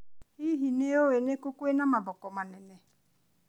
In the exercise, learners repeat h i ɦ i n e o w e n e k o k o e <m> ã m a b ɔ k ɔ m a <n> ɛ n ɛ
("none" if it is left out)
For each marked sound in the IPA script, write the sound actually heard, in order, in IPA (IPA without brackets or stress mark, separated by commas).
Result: n, n